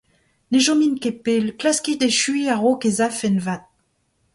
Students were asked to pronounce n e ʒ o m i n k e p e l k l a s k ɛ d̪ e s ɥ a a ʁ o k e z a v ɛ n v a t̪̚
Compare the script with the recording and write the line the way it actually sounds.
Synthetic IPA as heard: n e ʒ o m i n k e p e l k l a s k i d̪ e ʃ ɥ i a ʁ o k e z a f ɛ n v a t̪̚